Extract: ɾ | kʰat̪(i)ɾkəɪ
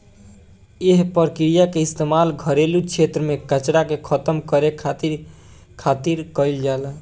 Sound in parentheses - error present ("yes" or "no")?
no